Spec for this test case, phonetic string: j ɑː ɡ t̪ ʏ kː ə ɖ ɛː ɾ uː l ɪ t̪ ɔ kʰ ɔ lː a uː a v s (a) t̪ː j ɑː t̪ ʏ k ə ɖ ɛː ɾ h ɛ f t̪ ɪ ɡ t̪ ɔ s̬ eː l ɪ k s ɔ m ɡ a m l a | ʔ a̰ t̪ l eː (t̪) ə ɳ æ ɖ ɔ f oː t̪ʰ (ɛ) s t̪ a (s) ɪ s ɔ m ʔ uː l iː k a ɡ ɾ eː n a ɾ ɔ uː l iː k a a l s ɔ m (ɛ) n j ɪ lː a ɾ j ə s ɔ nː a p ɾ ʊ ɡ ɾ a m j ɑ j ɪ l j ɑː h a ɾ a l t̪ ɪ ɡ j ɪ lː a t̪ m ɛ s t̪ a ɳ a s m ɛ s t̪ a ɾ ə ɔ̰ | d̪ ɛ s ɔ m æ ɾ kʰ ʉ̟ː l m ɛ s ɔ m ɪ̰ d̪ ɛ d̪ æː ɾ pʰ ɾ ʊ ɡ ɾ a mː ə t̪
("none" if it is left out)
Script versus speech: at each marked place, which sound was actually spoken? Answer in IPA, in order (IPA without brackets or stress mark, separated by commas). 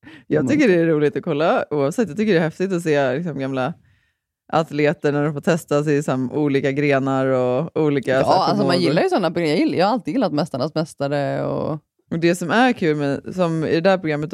ɛ, t̪, ɛ, s, a